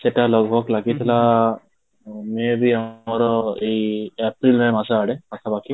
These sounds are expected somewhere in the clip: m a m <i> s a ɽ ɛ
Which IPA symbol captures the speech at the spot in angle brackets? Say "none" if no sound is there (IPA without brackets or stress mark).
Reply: a